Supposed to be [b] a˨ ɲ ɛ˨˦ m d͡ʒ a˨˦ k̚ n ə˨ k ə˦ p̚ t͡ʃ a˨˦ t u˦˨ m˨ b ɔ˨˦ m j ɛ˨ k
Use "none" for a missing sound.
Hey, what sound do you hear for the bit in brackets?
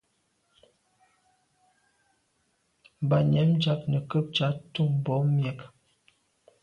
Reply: b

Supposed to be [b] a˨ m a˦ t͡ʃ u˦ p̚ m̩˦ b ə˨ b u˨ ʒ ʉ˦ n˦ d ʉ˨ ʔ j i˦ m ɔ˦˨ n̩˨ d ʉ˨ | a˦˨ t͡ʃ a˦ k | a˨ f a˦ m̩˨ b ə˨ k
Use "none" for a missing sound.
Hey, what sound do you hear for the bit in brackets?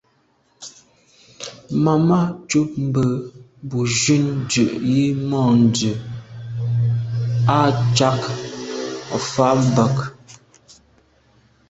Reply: m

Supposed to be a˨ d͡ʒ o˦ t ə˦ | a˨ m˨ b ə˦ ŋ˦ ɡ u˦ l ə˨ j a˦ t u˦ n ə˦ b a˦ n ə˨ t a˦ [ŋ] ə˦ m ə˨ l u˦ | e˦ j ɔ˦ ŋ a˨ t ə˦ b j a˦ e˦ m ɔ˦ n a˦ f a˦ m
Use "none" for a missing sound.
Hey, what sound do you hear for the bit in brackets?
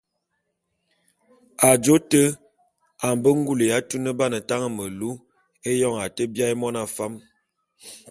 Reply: ŋ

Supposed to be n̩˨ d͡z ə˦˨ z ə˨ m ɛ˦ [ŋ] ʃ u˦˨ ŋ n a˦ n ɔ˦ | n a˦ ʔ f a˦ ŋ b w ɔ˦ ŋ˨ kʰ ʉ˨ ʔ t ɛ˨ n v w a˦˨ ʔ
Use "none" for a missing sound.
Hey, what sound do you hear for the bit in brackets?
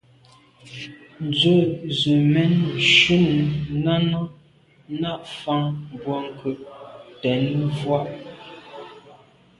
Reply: n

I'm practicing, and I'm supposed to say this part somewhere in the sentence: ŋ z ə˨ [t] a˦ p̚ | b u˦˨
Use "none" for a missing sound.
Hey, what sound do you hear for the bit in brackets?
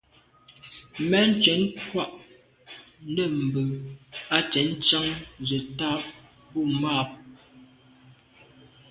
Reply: t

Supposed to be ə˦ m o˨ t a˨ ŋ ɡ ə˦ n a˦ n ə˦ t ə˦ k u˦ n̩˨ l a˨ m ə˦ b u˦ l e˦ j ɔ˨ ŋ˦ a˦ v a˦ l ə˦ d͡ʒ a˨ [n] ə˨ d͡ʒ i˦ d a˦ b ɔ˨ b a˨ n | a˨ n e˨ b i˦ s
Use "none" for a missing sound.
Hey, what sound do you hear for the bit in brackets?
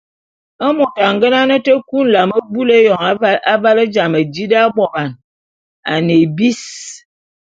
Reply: m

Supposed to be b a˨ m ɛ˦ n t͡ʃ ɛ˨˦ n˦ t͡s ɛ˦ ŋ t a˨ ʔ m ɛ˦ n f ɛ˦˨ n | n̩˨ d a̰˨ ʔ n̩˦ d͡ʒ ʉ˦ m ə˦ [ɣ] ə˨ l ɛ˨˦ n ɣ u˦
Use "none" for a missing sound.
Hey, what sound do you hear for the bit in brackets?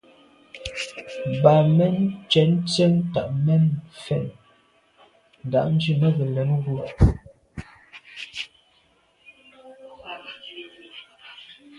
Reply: ɣ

